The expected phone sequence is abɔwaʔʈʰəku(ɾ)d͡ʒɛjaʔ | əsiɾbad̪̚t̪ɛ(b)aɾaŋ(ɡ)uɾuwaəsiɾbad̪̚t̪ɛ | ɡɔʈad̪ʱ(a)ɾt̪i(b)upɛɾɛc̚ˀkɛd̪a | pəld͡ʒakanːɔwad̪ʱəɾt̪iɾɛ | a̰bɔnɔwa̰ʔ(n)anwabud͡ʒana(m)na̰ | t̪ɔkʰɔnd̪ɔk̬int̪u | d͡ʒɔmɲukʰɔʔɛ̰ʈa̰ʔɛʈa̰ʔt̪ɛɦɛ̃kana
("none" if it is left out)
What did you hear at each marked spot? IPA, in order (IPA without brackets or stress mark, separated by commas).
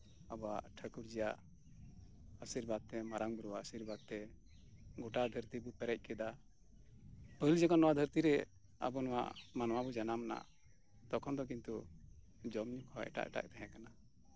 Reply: ɾ, m, b, ə, b, m, m